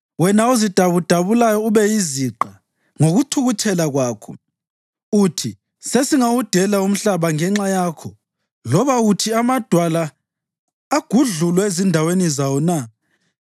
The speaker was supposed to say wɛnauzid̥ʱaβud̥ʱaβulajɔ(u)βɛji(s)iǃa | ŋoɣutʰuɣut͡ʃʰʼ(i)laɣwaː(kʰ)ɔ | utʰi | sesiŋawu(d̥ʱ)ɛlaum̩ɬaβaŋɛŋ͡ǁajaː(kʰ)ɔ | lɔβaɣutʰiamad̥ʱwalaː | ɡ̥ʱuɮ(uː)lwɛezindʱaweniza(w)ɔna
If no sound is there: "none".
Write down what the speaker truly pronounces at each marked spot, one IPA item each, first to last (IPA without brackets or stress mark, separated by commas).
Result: u, z, ɛ, kʰ, d̥ʱ, kʰ, u, w